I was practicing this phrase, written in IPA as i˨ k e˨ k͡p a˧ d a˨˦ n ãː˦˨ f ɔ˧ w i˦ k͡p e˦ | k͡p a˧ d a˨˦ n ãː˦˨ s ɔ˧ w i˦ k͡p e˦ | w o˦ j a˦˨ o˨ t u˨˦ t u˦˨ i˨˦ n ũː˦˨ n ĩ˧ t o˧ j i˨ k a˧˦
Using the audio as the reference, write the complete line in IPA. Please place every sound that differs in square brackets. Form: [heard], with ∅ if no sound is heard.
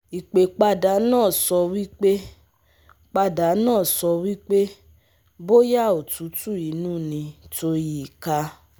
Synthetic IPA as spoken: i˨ [k͡p] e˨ k͡p a˧ d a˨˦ n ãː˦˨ [s] ɔ˧ w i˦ k͡p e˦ | k͡p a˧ d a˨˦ n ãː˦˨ s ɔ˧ w i˦ k͡p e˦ | [b] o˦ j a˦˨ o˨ t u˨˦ t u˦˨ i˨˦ n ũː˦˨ n ĩ˧ t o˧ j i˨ k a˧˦